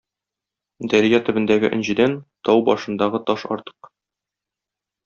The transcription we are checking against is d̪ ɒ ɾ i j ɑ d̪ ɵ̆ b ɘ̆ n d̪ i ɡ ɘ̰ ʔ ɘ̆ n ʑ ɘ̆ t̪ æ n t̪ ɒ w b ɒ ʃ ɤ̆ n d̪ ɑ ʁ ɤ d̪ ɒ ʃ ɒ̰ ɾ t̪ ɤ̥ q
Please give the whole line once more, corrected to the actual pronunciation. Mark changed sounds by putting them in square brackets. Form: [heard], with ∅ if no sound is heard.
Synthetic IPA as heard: d̪ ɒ ɾ i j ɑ [t̪] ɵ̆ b ɘ̆ n d̪ [æ] ɡ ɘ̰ ʔ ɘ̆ n ʑ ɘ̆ [d̪] æ n t̪ ɒ w b ɒ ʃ ɤ̆ n d̪ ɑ ʁ ɤ [t̪] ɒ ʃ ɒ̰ ɾ t̪ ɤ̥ q